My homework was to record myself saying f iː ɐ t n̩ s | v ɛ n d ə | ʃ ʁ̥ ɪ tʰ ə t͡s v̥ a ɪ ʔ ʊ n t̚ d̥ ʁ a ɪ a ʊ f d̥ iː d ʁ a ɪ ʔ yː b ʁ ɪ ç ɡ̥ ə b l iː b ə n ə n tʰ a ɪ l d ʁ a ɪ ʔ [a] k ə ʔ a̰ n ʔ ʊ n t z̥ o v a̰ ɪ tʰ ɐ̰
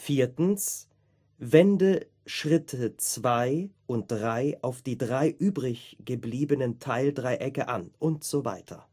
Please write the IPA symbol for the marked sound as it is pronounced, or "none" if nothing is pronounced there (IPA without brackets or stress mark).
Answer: ɛ